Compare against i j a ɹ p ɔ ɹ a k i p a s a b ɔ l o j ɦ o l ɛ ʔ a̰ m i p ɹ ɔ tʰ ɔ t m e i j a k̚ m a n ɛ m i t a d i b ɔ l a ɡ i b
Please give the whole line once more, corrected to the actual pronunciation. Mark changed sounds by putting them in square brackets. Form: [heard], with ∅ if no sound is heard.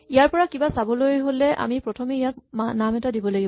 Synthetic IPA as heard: i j a ɹ p ɔ ɹ a k i [b] a s a b ɔ l o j ɦ o l ɛ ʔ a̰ m i p ɹ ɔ tʰ ɔ [∅] m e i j a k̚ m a n [a] m [ɛ] t a d i b ɔ l a ɡ i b